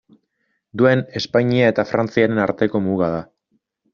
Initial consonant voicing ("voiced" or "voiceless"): voiced